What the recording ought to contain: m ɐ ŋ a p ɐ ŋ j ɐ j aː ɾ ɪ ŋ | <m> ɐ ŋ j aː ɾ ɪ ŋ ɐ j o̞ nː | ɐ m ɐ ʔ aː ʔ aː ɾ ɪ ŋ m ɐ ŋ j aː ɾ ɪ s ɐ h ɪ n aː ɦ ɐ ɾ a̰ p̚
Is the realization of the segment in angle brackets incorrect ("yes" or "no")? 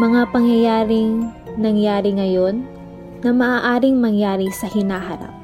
yes